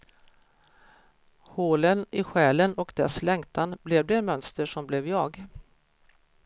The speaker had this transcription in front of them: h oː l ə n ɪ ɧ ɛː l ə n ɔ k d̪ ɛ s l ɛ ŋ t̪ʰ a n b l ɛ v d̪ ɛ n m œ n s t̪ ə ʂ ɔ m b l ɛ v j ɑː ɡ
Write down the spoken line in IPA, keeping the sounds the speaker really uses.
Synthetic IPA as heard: h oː l ə n ɪ ɧ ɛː l ə n ɔ k d̪ ɛ s l ɛ ŋ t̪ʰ a n b l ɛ v d̪ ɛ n m œ n s t̪ ə ʂ ɔ m b l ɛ v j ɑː ɡ